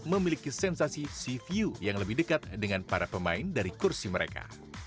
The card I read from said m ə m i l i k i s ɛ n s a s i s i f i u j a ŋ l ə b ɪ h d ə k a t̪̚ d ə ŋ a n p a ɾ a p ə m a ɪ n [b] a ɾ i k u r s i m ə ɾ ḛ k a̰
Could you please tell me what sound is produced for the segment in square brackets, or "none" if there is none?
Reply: d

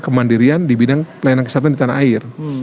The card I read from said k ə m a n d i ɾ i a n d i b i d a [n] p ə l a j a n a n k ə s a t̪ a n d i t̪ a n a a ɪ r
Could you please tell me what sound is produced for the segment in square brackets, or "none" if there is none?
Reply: ŋ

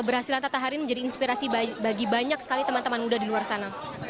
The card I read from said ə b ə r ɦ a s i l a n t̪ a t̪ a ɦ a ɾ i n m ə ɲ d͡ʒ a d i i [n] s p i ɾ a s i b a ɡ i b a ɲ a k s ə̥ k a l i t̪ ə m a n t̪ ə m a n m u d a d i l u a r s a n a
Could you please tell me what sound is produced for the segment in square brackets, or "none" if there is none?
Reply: n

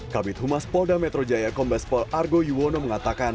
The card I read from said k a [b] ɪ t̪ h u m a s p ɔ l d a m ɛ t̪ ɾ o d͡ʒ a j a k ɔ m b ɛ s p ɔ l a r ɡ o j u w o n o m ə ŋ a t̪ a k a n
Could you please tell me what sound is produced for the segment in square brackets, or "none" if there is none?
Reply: b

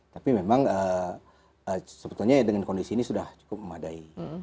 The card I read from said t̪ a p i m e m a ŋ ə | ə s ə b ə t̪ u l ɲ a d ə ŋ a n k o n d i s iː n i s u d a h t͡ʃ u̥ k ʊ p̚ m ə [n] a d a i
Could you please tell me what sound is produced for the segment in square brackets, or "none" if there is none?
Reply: m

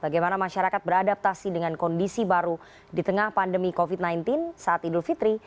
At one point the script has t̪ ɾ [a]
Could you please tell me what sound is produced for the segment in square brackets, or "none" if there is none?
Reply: i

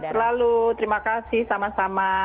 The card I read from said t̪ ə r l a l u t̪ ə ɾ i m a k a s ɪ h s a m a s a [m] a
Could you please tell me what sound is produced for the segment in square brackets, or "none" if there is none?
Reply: m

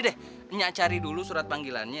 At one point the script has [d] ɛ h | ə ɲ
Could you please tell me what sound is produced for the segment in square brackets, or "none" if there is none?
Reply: d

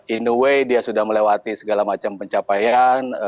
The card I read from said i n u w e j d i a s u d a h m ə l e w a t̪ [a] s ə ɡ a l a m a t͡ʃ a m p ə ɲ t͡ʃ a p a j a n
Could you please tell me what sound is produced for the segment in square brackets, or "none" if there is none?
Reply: i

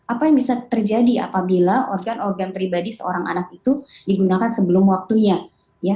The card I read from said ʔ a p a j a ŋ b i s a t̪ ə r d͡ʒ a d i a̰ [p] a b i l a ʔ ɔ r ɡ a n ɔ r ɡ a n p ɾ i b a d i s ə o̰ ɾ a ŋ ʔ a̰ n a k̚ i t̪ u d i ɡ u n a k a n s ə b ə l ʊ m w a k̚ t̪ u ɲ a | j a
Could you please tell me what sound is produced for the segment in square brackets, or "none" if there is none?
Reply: p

